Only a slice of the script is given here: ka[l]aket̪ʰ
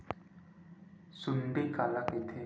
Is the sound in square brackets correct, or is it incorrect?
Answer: correct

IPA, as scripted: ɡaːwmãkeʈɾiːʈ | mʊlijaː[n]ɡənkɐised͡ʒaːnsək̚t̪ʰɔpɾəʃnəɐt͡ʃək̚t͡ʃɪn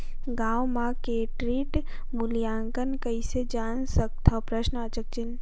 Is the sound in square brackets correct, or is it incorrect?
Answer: incorrect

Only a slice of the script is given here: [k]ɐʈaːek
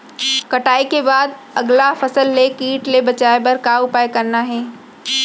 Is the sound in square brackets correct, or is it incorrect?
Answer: correct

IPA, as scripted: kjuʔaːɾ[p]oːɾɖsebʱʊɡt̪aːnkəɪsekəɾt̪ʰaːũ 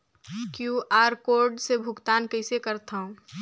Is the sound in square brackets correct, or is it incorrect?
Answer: incorrect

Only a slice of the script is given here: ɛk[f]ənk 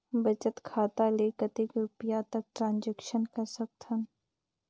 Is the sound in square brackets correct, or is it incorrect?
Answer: incorrect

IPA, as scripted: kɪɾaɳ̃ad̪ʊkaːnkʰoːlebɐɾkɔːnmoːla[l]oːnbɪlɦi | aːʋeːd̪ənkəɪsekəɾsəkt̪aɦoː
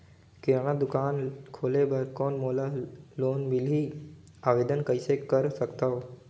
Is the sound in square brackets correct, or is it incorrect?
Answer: correct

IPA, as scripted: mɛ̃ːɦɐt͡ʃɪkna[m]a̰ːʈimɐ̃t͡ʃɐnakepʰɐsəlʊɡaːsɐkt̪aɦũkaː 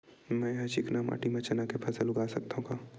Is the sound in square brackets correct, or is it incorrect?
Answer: correct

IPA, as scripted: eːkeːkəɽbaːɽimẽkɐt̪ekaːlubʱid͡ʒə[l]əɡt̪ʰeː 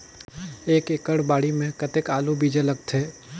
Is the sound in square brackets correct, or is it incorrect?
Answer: correct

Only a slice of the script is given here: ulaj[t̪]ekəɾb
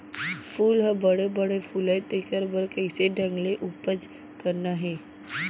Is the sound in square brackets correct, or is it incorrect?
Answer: correct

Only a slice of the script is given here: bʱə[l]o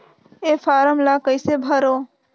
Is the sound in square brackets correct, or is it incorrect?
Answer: incorrect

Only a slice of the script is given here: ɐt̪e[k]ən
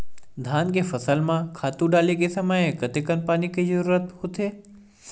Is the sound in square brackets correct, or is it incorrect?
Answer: correct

